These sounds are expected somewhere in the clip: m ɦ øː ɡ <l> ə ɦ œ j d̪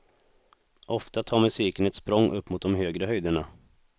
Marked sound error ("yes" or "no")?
yes